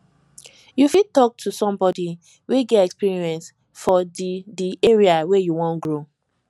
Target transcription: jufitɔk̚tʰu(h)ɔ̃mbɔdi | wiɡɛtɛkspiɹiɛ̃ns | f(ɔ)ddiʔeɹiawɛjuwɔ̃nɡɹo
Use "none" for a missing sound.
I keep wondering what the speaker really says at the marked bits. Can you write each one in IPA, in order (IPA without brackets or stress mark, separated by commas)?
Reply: s, ɔ